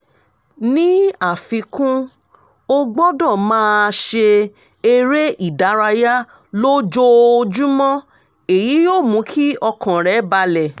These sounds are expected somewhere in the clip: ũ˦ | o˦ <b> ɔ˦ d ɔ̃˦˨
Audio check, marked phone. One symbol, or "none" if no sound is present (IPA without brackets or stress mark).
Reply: ɡ͡b